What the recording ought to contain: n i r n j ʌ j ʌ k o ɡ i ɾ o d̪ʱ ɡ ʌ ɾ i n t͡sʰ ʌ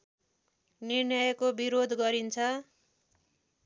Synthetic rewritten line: n i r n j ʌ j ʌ k o b i ɾ o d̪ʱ ɡ ʌ ɾ i n t͡sʰ ʌ